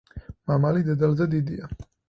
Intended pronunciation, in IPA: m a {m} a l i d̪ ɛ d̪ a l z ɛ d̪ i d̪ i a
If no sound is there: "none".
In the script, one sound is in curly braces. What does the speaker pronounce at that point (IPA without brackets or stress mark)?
m